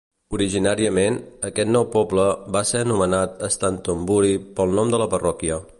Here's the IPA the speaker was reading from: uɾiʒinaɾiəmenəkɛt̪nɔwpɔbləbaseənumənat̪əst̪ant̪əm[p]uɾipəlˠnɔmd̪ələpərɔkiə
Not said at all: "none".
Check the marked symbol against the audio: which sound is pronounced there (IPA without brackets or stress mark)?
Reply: b